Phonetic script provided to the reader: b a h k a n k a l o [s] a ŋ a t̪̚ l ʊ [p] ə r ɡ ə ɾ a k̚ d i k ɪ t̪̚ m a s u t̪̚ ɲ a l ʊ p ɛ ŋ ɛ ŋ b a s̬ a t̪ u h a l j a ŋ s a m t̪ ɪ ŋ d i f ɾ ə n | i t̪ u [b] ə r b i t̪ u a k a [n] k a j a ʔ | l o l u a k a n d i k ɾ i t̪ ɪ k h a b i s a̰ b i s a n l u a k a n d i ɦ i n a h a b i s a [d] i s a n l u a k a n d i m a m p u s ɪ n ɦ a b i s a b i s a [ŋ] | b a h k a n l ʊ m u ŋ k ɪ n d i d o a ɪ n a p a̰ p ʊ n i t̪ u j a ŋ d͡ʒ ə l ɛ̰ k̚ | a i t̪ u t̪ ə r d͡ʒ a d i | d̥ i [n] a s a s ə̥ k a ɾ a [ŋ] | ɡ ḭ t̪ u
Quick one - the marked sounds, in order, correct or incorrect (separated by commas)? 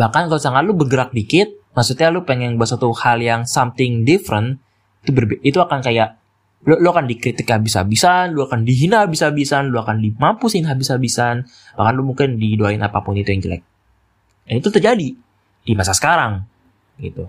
correct, incorrect, correct, correct, incorrect, incorrect, incorrect, correct